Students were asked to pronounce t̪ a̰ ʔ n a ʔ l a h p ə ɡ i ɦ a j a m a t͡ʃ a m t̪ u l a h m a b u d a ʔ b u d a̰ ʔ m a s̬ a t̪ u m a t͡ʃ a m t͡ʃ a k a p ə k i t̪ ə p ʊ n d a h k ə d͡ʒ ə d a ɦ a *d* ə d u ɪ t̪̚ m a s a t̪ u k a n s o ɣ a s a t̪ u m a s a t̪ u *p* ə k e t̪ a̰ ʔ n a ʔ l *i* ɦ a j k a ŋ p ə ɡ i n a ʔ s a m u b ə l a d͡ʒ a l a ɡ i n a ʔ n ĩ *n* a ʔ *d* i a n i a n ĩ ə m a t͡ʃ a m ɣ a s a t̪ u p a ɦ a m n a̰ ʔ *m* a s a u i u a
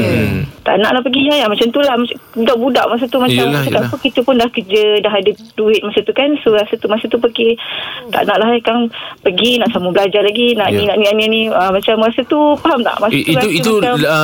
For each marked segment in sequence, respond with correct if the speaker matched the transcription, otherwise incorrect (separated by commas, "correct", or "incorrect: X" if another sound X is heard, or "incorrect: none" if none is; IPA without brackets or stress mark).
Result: correct, correct, incorrect: a, correct, incorrect: n, correct